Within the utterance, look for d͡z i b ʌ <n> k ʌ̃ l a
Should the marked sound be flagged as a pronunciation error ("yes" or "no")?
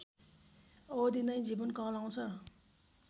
no